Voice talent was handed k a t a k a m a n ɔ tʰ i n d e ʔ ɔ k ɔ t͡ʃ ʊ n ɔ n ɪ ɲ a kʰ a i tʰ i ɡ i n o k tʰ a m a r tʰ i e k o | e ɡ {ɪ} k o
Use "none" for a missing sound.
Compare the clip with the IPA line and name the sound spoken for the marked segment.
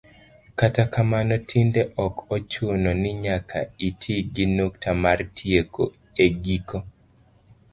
i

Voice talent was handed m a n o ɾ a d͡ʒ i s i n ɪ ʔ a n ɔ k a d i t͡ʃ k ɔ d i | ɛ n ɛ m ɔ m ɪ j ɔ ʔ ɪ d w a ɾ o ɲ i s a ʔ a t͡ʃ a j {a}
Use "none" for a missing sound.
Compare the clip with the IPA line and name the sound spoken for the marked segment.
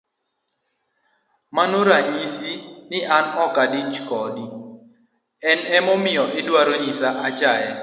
ɛ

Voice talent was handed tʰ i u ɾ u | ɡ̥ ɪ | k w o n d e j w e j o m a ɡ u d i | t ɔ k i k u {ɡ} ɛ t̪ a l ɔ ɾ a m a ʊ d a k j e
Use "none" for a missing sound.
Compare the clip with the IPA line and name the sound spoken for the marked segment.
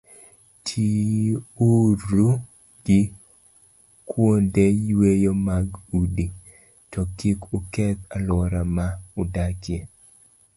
k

